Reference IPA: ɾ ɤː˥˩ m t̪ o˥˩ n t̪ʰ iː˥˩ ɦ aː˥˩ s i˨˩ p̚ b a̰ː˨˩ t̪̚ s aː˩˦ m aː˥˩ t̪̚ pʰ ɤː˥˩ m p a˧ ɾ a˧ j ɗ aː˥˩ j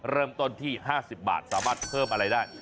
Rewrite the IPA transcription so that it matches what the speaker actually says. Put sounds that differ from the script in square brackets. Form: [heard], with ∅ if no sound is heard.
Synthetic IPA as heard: ɾ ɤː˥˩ m t̪ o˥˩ n t̪ʰ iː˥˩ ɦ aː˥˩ s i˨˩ p̚ b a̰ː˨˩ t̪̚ s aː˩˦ m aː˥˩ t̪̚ pʰ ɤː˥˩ m [ʔ] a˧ ɾ a˧ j [d] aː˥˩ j